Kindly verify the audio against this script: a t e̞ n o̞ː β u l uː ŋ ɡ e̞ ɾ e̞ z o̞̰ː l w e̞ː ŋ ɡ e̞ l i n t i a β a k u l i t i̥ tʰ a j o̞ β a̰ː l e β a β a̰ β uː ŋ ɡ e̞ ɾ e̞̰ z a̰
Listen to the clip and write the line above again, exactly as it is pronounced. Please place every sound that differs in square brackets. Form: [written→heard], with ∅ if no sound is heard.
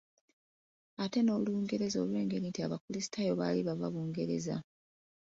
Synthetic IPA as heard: a t e̞ n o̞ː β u l uː ŋ ɡ e̞ ɾ e̞ z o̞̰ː l w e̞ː ŋ ɡ e̞ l i n t i a β a k u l i [t→s] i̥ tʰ a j o̞ β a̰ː l [e→i] β a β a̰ β uː ŋ ɡ e̞ ɾ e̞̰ z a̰